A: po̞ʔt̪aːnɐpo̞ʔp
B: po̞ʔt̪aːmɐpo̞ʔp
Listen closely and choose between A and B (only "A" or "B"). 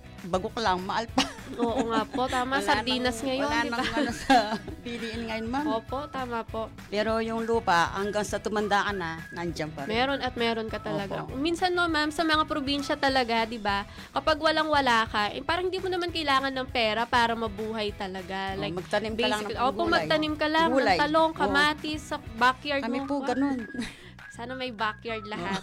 B